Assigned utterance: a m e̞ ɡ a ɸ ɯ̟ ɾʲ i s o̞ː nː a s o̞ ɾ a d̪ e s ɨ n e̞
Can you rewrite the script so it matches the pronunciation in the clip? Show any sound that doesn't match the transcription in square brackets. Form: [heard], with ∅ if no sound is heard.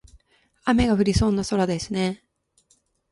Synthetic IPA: a m e̞ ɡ a ɸ ɯ̟ ɾʲ i s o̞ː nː a s o̞ ɾ a d̪ e s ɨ n e̞